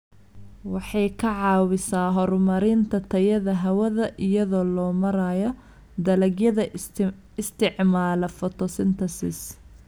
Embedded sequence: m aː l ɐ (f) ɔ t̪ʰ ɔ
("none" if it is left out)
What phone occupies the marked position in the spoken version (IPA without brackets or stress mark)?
f